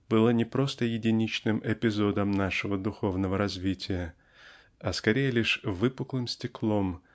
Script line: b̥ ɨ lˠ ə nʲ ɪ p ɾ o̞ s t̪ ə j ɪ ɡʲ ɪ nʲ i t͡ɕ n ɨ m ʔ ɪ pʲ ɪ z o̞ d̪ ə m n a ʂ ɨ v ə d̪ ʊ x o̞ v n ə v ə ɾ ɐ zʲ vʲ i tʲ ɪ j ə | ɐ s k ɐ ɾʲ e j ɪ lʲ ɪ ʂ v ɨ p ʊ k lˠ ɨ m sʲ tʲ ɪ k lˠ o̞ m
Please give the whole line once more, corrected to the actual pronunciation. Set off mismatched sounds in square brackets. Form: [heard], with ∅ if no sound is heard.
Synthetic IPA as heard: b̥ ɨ lˠ ə nʲ ɪ p ɾ o̞ s t̪ ə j ɪ [dʲ] ɪ nʲ i t͡ɕ n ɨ m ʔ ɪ pʲ ɪ z o̞ d̪ ə m n a ʂ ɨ v ə d̪ ʊ x o̞ v n ə v ə ɾ ɐ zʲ vʲ i tʲ ɪ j ə | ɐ s k ɐ ɾʲ e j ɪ lʲ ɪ ʂ v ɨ p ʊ k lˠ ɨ m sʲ tʲ ɪ k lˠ o̞ m